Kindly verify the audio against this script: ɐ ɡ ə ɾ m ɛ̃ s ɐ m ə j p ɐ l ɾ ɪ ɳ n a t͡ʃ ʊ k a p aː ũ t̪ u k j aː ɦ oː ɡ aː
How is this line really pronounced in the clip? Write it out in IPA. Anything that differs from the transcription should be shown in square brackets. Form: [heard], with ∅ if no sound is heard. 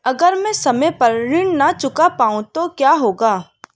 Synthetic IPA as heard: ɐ ɡ ə ɾ m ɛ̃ s ɐ m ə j p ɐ [ɾ] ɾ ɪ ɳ n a t͡ʃ ʊ k a p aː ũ t̪ [o] k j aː ɦ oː ɡ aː